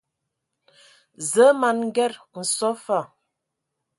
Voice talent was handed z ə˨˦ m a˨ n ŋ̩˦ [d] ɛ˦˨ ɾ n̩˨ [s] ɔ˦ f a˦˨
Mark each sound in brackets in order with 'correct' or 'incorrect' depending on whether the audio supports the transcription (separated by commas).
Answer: incorrect, correct